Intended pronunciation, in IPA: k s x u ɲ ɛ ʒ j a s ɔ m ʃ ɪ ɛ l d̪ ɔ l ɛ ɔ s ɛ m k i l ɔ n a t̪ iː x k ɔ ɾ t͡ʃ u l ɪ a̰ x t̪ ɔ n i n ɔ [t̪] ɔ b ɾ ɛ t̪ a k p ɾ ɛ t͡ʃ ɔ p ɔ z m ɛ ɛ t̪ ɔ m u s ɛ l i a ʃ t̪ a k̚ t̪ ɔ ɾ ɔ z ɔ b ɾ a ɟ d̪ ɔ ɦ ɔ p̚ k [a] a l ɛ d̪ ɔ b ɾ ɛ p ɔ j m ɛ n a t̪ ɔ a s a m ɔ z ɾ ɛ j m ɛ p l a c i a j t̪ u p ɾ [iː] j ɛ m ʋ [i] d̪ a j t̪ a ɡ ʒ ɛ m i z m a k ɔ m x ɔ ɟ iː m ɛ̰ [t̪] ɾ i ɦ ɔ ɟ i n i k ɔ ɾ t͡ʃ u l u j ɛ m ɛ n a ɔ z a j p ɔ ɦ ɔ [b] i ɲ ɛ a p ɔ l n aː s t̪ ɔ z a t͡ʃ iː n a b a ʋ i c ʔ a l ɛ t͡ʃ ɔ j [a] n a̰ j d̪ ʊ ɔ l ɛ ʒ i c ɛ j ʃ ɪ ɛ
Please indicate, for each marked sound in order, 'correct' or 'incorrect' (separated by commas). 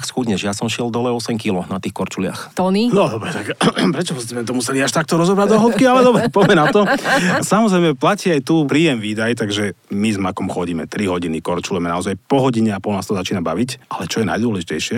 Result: incorrect, incorrect, correct, incorrect, correct, incorrect, incorrect